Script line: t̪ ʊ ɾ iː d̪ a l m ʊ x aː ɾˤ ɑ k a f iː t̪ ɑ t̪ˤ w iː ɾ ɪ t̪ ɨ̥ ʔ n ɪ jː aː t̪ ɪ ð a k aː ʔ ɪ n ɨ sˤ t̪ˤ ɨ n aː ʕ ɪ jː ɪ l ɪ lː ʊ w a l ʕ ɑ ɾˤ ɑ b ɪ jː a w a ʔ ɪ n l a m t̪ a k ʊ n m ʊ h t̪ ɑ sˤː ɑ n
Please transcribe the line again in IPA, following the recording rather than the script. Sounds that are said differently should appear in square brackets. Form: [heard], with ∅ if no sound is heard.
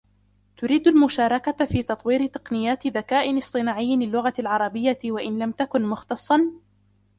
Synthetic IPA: t̪ ʊ ɾ iː d̪ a l m ʊ [ʃ] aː ɾˤ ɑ k a f iː t̪ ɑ t̪ˤ w iː ɾ ɪ t̪ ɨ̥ [q] n ɪ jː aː t̪ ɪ ð a k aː ʔ ɪ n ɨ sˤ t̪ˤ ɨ n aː ʕ ɪ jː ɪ l ɪ lː ʊ [ɣ] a l ʕ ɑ ɾˤ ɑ b ɪ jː a w a ʔ ɪ n l a m t̪ a k ʊ n m ʊ [x] t̪ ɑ sˤː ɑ n